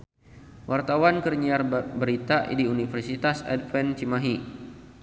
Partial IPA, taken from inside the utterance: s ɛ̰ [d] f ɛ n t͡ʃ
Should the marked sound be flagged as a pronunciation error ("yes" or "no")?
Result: no